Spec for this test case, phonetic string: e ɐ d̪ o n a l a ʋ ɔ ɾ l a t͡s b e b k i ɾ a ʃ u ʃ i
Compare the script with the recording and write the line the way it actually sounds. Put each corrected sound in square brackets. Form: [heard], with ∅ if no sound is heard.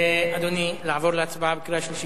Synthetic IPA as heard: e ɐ d̪ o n [i] l a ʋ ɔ ɾ l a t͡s b [a] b k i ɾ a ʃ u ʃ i